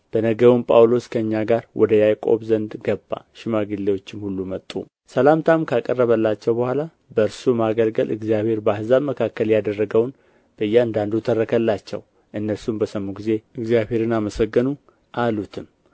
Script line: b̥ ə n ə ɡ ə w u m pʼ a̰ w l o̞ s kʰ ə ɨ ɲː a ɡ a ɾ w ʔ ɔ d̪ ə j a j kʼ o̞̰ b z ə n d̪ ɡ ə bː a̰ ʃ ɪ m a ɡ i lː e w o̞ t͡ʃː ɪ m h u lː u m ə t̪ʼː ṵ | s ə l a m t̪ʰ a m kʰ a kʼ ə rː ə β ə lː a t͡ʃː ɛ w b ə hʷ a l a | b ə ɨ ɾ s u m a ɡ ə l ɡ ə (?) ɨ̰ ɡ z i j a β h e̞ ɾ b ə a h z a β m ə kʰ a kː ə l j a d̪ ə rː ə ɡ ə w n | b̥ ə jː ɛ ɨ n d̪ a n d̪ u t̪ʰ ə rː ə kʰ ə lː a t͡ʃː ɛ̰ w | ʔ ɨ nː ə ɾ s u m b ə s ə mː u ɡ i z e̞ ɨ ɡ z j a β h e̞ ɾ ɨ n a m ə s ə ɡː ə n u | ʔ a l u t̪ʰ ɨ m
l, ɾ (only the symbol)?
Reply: l